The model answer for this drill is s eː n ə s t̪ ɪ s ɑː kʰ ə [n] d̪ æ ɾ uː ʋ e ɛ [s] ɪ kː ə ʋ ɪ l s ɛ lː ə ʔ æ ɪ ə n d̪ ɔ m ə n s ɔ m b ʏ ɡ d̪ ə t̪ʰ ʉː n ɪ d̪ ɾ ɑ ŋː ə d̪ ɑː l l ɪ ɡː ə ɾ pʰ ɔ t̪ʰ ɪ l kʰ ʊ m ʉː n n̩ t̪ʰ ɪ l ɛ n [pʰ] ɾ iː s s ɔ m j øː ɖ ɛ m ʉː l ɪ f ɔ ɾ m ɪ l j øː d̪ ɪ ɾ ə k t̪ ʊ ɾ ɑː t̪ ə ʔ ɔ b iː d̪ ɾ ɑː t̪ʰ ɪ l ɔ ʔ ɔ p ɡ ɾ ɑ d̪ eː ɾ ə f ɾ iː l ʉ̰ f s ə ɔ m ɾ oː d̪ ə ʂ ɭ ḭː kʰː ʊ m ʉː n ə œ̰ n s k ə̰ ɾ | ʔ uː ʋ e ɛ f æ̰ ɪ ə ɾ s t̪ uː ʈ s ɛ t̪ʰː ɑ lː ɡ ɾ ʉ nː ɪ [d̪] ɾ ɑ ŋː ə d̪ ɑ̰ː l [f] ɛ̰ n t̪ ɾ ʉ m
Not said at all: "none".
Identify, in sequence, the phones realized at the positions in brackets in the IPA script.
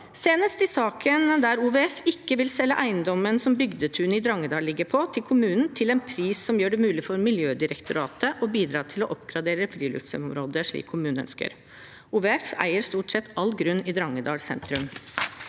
n, f, pʰ, d̪, s

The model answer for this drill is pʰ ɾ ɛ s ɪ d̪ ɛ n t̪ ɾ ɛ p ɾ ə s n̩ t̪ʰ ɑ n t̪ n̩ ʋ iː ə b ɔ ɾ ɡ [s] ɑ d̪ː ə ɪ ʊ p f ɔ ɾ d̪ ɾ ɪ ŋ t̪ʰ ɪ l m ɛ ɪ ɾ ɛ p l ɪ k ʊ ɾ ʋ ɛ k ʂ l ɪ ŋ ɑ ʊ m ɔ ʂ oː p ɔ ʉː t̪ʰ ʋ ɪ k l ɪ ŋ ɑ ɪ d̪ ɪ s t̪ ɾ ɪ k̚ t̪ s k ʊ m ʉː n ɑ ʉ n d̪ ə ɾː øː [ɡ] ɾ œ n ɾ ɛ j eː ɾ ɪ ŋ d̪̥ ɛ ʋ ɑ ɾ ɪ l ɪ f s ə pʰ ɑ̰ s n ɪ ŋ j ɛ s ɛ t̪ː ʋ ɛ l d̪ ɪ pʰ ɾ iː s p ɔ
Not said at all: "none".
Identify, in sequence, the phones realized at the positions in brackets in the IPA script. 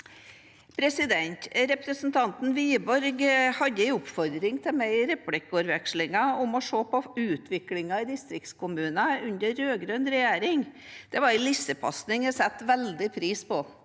h, ɡ

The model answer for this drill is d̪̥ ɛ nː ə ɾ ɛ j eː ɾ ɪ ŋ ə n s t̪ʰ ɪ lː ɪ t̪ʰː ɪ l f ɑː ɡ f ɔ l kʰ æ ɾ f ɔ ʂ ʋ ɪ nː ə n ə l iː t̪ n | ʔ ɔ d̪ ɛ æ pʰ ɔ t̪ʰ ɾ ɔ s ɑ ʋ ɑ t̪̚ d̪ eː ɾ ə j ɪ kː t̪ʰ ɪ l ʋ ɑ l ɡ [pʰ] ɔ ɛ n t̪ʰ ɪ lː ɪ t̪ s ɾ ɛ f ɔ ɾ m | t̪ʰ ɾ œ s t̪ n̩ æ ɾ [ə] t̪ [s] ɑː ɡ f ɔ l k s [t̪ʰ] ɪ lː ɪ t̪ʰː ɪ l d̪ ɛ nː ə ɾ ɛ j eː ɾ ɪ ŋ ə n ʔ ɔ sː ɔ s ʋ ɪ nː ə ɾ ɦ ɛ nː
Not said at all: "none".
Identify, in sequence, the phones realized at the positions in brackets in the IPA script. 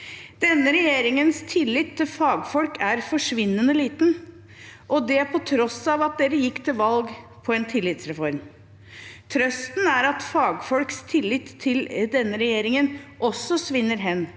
pʰ, ɑ, f, t̪ʰ

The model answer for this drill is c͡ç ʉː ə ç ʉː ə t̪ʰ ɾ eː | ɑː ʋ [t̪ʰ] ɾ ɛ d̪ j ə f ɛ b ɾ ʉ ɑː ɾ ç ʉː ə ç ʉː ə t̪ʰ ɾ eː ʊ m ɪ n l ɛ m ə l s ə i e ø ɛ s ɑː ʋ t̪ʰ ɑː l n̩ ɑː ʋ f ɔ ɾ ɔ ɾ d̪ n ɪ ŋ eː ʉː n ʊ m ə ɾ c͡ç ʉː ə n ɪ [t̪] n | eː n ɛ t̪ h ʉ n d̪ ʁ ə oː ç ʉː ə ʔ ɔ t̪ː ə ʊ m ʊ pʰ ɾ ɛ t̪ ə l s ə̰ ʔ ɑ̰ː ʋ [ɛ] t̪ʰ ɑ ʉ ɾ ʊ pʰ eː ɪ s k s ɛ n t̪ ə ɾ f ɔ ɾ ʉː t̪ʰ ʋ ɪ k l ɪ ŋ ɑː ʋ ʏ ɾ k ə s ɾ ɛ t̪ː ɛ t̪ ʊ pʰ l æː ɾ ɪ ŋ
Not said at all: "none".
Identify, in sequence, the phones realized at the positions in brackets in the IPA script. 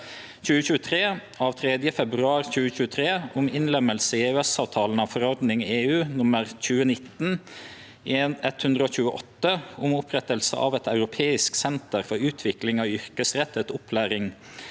t̪ʰ, t̪, ɛ

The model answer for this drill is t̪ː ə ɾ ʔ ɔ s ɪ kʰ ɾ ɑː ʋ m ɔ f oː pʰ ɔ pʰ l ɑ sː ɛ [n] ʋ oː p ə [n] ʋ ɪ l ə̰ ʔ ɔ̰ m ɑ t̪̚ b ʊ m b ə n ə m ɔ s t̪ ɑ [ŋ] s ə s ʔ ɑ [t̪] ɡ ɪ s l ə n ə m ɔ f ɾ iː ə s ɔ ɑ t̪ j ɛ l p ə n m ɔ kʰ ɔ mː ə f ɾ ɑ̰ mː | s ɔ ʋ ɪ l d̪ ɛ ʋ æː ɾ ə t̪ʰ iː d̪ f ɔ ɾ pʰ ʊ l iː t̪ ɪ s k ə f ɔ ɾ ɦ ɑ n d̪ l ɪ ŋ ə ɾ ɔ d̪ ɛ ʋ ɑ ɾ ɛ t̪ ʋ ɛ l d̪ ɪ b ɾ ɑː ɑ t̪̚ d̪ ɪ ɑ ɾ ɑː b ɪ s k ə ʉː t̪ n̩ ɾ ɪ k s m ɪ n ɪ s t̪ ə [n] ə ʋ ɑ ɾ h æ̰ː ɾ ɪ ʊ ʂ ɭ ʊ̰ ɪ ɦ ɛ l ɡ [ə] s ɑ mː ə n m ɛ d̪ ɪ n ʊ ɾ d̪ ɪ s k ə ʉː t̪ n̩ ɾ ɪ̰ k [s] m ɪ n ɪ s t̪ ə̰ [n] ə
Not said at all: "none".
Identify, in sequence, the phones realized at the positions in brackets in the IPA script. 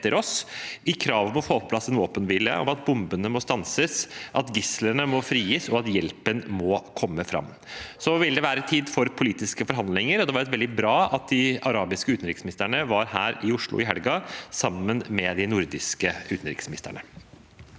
n, n, n, t̪, ɳ, ɑ, s, ɳ

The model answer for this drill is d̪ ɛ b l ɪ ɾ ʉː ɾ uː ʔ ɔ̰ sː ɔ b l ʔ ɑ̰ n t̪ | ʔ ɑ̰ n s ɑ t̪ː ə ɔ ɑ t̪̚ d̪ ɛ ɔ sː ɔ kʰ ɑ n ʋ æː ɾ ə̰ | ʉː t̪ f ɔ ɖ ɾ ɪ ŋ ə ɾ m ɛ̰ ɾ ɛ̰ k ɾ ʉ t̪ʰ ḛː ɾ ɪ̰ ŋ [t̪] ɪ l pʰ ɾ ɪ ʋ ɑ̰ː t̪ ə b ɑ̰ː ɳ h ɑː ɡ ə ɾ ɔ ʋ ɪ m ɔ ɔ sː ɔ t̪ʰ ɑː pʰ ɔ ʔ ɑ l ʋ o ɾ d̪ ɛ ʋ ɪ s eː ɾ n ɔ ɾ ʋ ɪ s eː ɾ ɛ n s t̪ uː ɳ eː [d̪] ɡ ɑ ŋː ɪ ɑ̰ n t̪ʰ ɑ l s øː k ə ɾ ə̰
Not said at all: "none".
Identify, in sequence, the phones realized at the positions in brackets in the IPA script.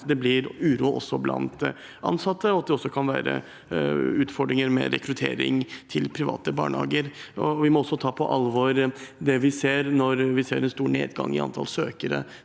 t̪ʰ, d̪

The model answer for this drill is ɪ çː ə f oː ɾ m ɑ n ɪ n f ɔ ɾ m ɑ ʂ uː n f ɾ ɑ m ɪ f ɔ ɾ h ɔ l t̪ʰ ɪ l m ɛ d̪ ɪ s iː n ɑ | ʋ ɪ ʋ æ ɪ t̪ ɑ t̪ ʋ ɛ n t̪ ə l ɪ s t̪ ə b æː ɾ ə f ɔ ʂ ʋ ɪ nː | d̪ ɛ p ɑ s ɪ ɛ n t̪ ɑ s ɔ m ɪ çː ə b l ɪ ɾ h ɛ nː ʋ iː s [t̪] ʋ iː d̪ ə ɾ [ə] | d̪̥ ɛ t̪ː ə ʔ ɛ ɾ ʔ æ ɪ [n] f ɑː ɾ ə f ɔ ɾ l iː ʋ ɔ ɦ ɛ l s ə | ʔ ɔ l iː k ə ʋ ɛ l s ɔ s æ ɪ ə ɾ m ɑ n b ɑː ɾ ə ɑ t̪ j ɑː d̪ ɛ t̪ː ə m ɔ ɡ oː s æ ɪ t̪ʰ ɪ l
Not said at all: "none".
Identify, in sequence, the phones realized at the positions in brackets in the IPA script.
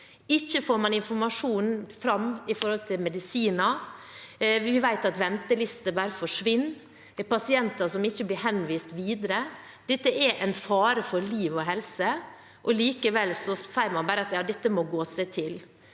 t̪, ə, n

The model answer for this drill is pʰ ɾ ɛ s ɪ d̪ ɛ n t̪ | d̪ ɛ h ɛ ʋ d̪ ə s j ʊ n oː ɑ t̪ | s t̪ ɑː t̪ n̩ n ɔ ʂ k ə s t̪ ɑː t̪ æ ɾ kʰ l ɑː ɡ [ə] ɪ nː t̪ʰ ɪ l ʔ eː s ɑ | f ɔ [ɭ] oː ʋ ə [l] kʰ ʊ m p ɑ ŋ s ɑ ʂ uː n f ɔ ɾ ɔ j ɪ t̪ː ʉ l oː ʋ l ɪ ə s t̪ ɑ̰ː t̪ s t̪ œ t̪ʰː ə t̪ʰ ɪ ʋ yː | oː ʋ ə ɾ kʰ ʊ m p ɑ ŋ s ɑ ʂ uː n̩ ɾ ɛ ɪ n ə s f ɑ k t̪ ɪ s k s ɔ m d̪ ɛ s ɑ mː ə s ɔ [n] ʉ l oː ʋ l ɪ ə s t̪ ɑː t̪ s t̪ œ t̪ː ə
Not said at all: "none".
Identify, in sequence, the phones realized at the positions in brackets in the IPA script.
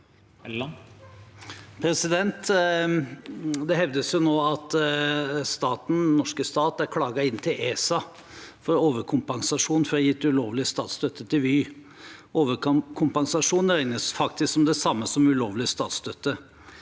ɑ, ɾ, ɾ, m

